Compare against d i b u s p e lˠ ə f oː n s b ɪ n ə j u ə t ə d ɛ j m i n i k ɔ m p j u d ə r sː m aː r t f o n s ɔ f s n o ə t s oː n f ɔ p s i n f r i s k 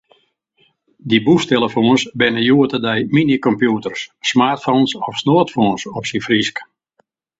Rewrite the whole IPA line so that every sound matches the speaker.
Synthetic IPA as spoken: d i b u s t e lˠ ə f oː n s b ɪ n ə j u ə t ə d ɛ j m i n i k ɔ m p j u t ə r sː m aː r t f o n s ɔ f s n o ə t f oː n s ɔ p s i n f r i s k